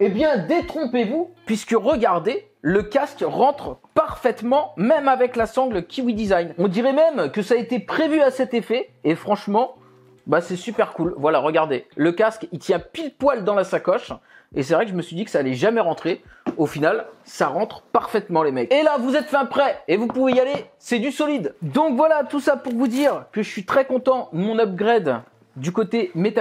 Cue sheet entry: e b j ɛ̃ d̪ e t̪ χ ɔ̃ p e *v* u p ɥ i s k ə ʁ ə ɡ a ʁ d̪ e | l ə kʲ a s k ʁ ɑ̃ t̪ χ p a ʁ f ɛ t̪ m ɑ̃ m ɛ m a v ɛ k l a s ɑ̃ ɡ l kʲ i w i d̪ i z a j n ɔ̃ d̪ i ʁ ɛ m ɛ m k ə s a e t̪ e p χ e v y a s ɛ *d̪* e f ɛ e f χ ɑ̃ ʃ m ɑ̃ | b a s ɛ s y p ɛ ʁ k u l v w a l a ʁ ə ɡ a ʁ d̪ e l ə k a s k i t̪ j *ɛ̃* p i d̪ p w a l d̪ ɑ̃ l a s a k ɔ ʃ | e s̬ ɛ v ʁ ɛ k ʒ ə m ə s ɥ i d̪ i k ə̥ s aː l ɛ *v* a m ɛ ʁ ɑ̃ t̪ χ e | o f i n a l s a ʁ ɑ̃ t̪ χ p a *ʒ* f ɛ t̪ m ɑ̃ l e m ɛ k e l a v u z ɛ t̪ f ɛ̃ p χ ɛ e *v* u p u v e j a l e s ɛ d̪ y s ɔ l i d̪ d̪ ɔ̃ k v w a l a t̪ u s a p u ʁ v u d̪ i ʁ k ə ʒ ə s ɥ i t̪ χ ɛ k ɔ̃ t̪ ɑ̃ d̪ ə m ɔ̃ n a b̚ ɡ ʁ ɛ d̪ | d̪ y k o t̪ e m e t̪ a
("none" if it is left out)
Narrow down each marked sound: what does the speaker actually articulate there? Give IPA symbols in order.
v, t̪, ɛ̃, ʒ, ʁ, v

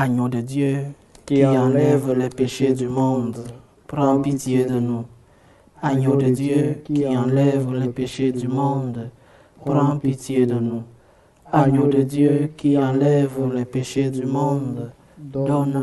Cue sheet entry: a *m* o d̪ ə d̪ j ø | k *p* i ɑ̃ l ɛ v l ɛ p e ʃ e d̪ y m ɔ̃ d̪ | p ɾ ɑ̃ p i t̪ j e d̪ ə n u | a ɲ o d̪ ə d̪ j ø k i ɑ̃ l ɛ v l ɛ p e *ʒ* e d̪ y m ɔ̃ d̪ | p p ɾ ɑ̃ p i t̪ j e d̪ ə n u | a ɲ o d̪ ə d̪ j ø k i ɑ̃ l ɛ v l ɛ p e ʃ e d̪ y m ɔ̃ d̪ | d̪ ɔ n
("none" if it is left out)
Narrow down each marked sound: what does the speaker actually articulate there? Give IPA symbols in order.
ɲ, k, ʃ

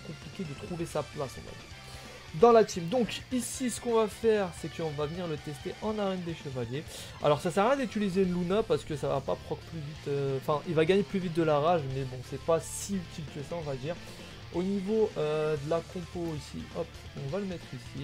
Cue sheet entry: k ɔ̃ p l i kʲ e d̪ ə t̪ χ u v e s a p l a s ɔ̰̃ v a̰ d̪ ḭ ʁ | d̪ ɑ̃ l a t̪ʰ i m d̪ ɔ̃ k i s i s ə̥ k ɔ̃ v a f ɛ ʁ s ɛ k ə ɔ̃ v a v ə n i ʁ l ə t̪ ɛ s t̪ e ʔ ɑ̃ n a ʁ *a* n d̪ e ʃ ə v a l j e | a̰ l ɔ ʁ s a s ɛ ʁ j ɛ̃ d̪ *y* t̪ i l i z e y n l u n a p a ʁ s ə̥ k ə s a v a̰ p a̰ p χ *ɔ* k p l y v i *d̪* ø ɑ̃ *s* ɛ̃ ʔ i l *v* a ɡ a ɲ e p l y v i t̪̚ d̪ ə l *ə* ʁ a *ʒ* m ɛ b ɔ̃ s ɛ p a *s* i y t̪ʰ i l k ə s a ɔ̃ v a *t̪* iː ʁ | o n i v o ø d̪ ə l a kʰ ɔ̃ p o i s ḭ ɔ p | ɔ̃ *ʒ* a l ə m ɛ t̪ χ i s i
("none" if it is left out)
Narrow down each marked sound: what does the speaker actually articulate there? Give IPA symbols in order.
ɛ, y, ɔ, t̪, f, v, a, ʒ, s, d̪, v

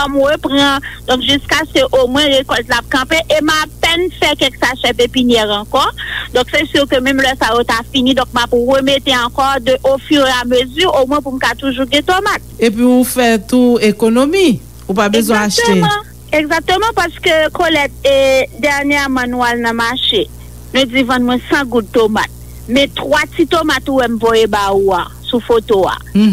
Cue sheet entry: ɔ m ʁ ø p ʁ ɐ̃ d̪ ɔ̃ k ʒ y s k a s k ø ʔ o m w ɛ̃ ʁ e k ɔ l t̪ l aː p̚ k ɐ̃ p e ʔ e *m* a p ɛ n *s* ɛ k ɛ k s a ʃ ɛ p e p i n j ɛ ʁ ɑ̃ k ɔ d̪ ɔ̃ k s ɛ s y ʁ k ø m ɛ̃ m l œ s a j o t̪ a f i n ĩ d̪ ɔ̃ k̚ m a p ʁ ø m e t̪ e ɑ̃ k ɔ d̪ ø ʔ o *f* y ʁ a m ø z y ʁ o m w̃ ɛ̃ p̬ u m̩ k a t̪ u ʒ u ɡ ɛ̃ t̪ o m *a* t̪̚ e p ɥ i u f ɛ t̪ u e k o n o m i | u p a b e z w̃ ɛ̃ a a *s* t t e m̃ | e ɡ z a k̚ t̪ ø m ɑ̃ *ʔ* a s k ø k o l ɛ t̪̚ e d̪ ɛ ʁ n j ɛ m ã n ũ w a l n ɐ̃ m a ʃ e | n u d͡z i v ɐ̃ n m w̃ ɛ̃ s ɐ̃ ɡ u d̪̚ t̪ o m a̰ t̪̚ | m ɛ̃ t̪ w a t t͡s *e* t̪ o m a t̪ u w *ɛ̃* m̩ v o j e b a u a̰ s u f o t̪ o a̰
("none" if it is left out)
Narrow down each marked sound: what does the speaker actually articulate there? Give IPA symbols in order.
m, f, f, a, ʃ, p, i, ɛ

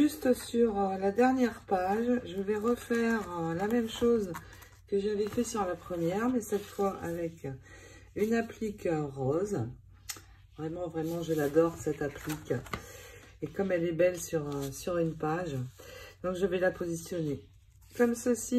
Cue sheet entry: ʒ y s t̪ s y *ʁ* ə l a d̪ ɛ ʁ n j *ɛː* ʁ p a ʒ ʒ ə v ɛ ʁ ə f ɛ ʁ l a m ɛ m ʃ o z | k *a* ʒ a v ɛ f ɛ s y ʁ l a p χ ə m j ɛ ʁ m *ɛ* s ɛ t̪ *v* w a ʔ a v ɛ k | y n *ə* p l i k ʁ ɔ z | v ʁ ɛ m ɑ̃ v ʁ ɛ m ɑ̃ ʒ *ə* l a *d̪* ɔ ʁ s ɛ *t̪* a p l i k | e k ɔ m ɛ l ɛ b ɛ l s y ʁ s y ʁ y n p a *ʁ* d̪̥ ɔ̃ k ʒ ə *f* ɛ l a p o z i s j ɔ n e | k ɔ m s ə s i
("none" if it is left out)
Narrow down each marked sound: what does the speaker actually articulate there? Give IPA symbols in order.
ʁ, ɛ, ə, ɛ, f, a, ə, d̪, t̪, ʒ, v

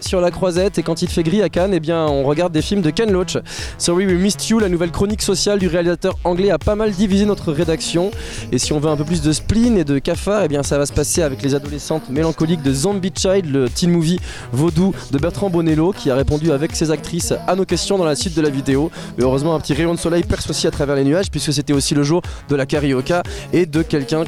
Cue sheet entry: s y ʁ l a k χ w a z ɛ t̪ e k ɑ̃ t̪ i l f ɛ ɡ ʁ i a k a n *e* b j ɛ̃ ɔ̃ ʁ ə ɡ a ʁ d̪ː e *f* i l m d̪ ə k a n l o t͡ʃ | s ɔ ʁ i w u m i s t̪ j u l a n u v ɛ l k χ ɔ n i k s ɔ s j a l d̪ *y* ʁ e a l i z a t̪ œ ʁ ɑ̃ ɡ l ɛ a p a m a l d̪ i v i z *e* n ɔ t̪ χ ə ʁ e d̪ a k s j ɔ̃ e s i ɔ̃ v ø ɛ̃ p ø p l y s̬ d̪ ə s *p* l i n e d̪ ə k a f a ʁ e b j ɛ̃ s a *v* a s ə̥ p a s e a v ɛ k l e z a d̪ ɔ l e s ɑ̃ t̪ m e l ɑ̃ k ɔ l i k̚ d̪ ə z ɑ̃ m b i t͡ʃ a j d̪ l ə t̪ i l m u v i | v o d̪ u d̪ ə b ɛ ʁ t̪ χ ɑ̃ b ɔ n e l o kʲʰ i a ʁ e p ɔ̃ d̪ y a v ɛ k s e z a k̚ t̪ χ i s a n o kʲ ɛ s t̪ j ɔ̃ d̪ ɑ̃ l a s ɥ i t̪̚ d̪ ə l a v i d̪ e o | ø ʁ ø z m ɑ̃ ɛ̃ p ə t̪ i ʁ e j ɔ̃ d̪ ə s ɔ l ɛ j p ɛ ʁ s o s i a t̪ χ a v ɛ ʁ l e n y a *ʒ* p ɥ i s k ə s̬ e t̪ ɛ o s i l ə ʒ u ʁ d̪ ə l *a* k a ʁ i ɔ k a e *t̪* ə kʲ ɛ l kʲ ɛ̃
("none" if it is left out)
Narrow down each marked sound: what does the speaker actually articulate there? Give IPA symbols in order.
e, f, y, e, p, v, ʒ, a, d̪

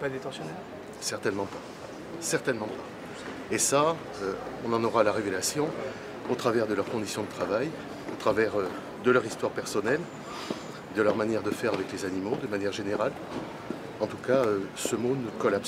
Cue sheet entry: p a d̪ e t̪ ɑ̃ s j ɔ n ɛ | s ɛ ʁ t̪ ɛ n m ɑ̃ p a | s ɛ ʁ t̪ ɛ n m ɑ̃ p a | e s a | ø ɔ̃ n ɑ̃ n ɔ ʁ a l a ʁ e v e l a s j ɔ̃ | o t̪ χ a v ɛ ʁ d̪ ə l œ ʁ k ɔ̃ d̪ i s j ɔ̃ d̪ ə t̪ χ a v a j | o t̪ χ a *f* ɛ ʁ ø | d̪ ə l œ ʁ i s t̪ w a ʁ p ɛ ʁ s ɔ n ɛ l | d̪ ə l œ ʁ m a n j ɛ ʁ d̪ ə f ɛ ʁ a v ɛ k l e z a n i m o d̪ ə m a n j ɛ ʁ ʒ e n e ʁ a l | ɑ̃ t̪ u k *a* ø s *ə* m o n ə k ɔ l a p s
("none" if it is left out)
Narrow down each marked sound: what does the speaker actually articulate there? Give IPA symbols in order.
v, a, ə

